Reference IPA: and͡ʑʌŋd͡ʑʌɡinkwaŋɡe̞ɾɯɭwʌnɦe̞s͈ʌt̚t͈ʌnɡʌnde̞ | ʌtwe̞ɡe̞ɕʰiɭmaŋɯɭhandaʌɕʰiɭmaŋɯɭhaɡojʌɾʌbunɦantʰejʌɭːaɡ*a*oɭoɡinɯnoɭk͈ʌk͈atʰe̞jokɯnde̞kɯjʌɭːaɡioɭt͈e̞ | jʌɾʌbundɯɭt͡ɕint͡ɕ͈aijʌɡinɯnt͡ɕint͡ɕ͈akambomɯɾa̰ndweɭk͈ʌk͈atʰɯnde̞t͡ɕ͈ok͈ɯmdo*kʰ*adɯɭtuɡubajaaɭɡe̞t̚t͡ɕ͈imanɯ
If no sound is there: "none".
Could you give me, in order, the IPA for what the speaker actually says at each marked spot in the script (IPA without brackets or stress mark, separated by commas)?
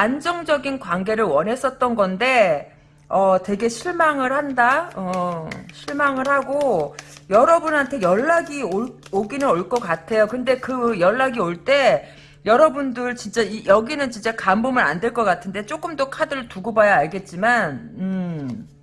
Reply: i, kʰ